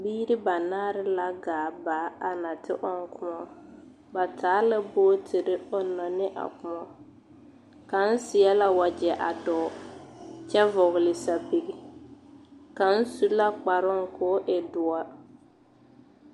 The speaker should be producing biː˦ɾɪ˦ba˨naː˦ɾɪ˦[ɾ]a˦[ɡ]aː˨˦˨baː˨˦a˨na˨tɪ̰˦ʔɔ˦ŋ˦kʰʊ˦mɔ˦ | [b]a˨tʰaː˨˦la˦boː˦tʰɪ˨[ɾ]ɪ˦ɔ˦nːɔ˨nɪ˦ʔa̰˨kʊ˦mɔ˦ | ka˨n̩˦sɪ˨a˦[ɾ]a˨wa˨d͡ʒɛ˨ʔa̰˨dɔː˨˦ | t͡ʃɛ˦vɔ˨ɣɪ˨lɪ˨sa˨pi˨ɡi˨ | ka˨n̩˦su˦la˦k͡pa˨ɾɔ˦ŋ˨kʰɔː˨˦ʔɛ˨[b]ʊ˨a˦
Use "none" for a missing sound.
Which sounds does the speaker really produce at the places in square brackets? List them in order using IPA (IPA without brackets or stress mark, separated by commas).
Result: l, ɡ, b, ɾ, l, d